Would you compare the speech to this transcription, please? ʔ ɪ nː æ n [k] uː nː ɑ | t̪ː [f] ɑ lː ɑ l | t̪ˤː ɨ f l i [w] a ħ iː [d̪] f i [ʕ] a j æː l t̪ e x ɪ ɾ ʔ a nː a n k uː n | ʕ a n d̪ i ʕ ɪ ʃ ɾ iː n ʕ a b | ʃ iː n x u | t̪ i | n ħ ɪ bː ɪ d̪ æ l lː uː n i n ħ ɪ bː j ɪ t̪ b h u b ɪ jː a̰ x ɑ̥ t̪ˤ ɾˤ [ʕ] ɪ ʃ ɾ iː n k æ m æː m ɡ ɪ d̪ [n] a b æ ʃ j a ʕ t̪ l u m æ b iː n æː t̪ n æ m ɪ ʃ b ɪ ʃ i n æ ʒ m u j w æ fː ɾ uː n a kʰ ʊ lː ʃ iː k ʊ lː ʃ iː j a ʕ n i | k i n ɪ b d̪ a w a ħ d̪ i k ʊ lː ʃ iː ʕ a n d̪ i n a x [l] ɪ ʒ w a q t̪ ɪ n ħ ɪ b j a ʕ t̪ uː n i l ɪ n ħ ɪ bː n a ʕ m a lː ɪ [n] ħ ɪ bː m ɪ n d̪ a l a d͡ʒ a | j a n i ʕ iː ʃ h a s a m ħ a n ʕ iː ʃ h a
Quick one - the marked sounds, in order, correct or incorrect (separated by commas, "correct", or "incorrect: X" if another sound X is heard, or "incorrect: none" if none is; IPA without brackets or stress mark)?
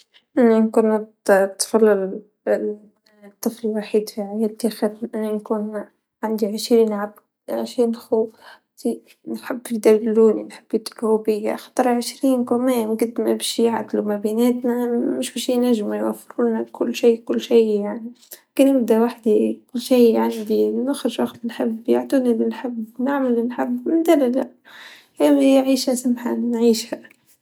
correct, correct, correct, correct, correct, correct, incorrect: m, incorrect: ɾ, correct